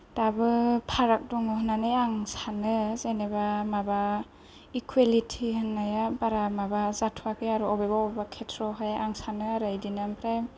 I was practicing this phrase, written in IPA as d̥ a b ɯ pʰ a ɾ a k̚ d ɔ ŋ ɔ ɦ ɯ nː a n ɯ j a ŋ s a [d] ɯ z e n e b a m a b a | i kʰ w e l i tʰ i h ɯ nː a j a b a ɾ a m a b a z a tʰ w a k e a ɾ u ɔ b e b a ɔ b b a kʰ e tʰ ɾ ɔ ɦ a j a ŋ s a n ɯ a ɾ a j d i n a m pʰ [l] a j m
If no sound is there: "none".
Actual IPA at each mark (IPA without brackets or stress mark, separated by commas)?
n, ɾ